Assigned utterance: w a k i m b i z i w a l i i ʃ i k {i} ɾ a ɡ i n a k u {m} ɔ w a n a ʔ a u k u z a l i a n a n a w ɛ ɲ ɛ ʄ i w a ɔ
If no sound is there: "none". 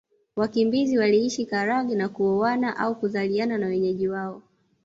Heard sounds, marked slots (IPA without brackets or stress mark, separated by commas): a, none